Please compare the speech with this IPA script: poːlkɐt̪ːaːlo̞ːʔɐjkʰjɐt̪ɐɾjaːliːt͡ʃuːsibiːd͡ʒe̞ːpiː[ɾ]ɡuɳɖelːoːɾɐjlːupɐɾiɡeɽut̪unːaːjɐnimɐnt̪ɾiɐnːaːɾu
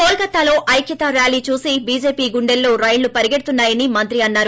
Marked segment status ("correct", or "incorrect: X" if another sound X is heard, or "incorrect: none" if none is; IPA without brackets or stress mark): incorrect: none